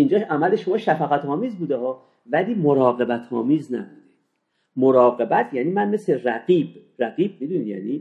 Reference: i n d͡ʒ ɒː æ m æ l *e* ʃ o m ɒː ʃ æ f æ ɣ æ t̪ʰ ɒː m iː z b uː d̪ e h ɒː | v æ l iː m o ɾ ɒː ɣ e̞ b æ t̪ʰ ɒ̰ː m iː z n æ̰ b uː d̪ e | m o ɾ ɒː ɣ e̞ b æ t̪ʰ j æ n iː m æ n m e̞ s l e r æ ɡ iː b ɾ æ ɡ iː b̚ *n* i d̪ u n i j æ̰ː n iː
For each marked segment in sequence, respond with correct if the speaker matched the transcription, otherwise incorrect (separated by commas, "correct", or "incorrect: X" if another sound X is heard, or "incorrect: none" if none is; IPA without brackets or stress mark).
correct, incorrect: m